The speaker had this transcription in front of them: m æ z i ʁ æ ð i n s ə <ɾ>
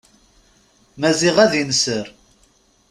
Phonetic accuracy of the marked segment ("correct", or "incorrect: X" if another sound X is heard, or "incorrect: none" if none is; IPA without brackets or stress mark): correct